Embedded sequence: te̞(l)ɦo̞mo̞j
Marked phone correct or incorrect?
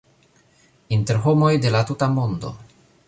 incorrect: ɾ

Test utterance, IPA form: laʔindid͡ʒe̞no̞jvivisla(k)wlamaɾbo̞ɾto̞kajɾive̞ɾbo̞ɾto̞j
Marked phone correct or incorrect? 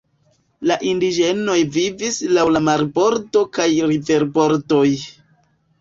incorrect: none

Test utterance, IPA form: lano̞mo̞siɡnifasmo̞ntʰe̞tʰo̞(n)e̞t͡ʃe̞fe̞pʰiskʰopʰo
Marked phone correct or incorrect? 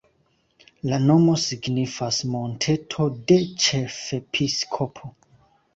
incorrect: d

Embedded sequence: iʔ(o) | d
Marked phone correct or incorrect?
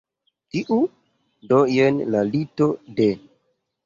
incorrect: u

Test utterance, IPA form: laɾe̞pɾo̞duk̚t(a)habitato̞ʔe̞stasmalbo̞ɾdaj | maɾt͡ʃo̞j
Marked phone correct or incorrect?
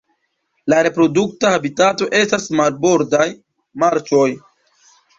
correct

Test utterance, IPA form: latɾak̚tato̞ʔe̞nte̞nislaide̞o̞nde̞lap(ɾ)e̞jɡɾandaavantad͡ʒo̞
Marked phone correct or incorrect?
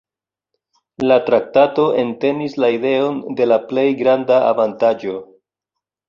incorrect: l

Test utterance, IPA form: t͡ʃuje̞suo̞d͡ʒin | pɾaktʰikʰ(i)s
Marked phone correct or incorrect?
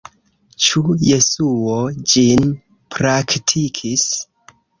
correct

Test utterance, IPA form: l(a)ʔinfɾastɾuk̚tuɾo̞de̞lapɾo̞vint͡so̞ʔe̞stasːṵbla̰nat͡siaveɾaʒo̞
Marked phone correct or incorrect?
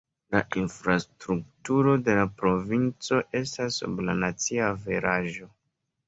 correct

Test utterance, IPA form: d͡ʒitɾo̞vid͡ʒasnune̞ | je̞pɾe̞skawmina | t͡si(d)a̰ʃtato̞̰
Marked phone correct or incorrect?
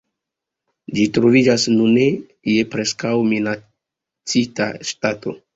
incorrect: t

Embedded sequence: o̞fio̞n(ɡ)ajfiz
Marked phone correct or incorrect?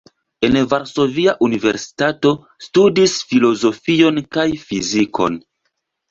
incorrect: k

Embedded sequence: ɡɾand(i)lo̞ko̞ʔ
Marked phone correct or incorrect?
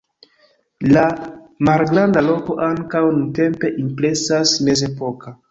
incorrect: a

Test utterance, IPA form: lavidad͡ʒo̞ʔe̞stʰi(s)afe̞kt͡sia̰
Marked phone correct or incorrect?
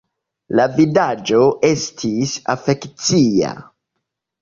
correct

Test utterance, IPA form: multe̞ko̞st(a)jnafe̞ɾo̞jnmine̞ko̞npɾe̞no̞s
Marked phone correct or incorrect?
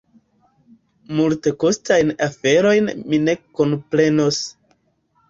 correct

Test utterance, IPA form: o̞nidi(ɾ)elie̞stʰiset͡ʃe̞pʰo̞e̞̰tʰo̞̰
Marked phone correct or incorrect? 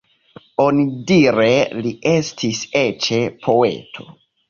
correct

